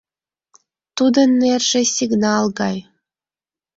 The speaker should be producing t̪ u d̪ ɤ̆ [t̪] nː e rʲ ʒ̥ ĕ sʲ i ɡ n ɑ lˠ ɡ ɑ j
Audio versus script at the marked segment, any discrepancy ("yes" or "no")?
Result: yes